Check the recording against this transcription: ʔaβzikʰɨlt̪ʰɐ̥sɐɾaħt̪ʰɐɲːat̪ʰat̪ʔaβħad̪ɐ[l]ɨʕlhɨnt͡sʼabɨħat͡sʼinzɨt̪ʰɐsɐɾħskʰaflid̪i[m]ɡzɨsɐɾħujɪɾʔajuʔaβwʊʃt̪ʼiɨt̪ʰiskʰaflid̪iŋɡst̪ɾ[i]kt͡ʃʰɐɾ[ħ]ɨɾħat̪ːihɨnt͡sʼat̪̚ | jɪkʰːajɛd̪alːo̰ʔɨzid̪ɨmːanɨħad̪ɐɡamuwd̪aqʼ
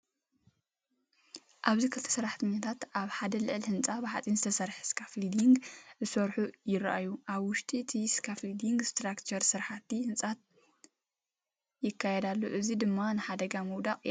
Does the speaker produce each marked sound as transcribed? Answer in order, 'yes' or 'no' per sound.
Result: yes, no, no, no

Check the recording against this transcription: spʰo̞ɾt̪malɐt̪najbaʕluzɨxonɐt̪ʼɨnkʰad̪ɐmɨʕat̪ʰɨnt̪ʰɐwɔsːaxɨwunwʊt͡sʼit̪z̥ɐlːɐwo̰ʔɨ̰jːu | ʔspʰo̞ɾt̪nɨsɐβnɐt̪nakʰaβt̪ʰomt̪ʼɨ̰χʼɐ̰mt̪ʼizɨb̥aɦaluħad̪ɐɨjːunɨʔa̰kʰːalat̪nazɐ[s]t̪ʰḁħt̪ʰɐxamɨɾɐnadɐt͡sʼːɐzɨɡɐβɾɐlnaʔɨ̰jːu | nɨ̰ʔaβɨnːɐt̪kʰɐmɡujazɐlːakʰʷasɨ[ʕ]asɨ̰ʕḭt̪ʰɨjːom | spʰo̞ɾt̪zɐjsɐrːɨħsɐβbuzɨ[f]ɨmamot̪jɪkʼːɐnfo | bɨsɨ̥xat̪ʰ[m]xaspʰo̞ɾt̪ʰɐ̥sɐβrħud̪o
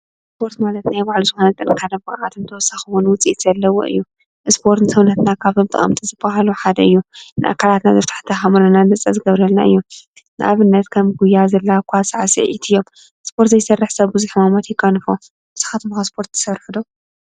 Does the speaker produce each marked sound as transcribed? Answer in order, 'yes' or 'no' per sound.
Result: no, yes, no, yes

